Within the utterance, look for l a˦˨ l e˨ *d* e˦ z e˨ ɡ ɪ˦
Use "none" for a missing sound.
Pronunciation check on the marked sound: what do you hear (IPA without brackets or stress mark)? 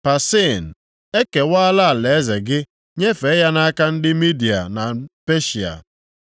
none